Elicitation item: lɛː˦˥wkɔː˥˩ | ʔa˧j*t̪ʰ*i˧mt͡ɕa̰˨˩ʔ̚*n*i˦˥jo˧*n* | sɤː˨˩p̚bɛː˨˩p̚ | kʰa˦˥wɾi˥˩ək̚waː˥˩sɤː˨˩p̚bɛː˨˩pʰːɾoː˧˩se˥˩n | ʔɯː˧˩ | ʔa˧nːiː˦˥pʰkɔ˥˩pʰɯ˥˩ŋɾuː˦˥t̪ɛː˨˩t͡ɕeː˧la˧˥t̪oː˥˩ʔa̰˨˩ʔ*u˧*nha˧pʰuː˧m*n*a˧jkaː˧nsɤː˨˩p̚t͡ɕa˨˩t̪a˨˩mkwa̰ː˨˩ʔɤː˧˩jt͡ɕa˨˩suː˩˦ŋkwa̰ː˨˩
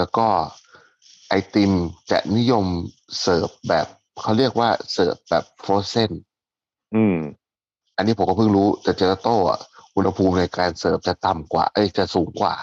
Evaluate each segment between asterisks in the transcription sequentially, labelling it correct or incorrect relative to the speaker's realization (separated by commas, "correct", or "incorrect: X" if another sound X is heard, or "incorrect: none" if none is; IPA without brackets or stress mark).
incorrect: t̪, correct, incorrect: m, correct, correct